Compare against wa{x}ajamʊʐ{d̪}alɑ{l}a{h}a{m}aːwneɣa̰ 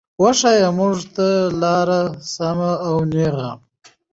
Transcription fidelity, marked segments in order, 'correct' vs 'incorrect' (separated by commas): incorrect, incorrect, incorrect, incorrect, correct